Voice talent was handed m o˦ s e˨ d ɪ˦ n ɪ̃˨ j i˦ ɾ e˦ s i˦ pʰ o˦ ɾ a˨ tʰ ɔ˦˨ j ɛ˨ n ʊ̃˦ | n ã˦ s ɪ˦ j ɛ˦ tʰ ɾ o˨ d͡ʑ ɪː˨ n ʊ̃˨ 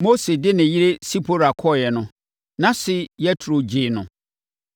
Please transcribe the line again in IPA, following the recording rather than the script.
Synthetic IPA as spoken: m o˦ s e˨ d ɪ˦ n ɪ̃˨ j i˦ ɾ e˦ s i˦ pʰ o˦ ɾ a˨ kʰ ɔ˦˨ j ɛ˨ n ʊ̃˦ | n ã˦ s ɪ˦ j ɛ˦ tʰ ɾ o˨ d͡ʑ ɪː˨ n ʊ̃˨

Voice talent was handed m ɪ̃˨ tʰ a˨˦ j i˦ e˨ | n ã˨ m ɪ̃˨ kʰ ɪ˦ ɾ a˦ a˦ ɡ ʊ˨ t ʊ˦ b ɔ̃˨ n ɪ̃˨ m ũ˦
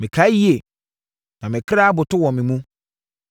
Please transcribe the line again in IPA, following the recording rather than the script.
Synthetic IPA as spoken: m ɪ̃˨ kʰ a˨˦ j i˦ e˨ | n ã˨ m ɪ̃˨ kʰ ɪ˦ ɾ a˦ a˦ b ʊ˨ t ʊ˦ w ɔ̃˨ m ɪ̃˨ m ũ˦

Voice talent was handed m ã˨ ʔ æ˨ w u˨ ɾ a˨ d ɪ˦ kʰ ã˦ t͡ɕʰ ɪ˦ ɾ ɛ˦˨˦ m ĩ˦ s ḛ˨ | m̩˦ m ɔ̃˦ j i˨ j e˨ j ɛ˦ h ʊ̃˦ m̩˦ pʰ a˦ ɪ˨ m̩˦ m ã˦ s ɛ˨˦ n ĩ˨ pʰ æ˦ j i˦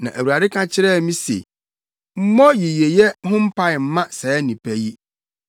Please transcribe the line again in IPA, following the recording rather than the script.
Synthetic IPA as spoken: n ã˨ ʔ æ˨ w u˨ ɾ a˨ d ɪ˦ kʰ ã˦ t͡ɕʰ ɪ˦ ɾ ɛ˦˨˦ m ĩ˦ s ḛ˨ | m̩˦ m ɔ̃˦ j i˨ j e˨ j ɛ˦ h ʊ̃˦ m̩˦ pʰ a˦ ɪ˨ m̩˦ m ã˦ s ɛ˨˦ n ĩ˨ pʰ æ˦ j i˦

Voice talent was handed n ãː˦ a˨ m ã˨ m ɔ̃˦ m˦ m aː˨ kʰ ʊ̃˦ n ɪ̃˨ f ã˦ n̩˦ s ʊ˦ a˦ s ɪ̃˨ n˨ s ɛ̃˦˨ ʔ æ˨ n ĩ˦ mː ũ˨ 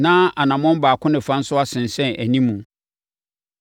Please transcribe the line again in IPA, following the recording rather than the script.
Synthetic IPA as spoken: n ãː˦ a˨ n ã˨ m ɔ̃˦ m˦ b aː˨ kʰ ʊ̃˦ n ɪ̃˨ f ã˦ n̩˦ s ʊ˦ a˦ s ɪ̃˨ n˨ s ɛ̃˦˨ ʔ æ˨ n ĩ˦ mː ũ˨

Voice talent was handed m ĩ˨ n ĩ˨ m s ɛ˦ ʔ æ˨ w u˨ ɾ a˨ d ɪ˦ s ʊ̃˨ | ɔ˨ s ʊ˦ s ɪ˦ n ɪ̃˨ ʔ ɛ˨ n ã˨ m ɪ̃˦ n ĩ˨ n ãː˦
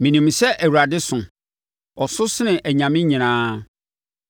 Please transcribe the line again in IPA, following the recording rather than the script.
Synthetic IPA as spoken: m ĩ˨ n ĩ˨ m s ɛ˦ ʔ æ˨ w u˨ ɾ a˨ d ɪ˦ s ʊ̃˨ | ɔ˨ s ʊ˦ s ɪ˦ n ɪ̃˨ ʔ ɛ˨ ɲ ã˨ m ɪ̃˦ ɲ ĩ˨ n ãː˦

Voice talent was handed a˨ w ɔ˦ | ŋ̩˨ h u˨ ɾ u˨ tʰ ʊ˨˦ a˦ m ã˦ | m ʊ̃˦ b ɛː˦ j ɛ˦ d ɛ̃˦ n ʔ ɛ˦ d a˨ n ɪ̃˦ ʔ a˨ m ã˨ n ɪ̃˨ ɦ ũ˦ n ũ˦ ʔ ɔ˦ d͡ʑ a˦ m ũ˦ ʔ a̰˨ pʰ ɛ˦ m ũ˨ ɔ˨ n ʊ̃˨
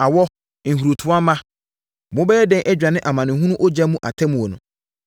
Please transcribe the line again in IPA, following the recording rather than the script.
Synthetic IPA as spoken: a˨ w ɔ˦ | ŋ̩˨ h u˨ ɾ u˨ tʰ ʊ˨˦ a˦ m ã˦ | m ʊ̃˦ b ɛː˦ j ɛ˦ d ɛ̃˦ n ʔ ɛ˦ d͡ʑᶣ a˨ n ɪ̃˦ ʔ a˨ m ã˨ n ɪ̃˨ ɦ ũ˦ n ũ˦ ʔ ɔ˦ d͡ʑ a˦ m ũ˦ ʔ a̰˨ tʰ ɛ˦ m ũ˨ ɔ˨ n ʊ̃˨

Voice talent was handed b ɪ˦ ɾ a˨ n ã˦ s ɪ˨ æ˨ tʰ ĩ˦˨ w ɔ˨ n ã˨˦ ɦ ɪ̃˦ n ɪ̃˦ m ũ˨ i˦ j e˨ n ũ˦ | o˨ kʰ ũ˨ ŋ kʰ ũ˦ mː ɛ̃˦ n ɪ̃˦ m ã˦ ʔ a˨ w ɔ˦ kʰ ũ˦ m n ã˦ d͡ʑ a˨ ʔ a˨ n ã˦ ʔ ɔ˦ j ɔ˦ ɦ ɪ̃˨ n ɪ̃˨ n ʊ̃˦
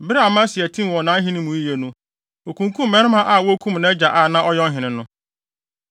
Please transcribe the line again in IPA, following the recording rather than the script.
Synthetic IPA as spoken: b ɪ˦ ɾ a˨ m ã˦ s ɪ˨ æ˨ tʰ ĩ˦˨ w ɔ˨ n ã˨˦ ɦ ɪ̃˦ n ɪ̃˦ m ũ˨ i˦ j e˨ n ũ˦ | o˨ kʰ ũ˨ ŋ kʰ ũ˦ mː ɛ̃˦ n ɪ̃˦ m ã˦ ʔ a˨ w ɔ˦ kʰ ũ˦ m n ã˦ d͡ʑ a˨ ʔ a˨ n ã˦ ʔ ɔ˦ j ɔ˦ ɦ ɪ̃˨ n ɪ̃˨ n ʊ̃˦

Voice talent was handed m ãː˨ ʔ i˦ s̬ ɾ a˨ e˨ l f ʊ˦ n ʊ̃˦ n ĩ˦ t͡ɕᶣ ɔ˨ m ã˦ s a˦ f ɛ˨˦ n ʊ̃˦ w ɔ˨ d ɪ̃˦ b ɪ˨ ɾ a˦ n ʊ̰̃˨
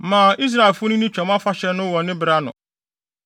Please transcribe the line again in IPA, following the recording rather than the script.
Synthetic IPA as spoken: m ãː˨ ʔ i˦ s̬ ɾ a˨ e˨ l f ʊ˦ n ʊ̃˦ n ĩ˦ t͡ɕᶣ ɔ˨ m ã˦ f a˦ ɕ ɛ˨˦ n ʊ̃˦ w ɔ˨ n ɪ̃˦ b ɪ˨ ɾ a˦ n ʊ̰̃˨

